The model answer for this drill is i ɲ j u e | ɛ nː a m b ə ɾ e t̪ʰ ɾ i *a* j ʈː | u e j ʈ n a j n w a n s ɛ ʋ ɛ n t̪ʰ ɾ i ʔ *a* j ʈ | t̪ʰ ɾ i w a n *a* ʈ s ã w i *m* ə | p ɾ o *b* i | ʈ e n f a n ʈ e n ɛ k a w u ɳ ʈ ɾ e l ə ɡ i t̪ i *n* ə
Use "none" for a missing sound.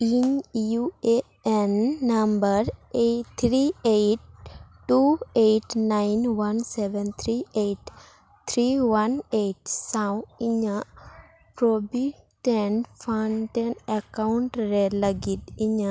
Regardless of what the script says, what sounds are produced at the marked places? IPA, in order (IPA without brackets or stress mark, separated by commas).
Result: e, e, e, ɲ, b, ɲ